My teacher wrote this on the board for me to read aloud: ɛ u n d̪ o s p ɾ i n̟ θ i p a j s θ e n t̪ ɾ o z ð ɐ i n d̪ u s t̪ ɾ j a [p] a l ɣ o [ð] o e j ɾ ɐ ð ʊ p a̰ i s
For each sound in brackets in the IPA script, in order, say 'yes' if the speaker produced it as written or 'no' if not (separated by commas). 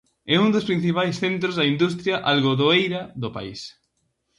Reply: no, yes